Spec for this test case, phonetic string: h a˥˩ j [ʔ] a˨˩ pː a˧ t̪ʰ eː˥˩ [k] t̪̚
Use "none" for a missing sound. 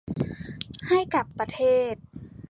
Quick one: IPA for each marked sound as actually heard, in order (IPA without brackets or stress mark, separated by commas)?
k, none